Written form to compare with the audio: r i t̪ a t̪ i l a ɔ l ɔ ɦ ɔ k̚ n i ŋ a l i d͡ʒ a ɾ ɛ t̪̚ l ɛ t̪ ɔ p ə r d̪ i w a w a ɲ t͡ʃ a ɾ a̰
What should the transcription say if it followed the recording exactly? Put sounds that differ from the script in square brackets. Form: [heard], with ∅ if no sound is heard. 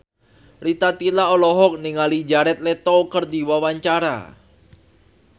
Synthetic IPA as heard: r i t̪ a t̪ i l a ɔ l ɔ ɦ ɔ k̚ n i ŋ a l i d͡ʒ a ɾ ɛ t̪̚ l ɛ t̪ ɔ [k] ə r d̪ i w a w a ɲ t͡ʃ a ɾ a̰